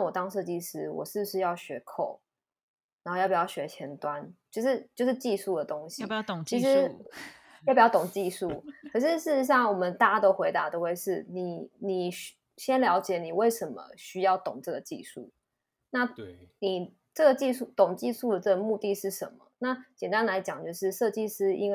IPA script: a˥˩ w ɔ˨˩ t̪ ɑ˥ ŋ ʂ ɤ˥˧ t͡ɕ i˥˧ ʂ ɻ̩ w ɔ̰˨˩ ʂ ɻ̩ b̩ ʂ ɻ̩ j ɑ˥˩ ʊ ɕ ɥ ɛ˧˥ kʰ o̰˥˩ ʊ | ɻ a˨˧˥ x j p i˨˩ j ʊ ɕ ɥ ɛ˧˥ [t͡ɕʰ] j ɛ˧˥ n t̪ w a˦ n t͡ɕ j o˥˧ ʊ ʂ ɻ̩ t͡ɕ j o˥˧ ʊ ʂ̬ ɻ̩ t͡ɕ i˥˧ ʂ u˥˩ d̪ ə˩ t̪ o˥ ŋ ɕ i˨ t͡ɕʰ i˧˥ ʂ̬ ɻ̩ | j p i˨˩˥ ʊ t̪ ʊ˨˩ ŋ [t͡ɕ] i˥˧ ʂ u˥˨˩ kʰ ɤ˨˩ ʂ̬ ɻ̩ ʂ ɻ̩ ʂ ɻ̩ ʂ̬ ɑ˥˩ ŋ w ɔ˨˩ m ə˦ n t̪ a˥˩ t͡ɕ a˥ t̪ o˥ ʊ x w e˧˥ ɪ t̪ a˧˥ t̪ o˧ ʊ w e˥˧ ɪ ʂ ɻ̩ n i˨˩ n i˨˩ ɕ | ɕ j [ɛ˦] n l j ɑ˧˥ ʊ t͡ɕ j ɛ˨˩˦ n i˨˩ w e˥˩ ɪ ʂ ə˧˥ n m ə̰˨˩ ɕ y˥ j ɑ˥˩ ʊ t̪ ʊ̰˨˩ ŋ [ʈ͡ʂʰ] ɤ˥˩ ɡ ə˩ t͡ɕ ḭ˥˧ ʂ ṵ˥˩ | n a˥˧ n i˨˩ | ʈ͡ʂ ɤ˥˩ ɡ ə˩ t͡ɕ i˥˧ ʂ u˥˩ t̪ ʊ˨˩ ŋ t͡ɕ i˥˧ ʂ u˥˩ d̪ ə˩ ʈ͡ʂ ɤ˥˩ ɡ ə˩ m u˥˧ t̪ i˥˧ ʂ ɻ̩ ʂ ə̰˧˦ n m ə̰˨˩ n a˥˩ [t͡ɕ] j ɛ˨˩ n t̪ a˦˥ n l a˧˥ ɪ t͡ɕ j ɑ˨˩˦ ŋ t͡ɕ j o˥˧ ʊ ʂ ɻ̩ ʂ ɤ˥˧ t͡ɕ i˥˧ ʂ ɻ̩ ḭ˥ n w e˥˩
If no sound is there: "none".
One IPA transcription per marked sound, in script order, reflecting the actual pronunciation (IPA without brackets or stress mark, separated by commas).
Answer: t͡ɕʰ, t͡ɕ, ɛ˦, ʈ͡ʂ, t͡ɕ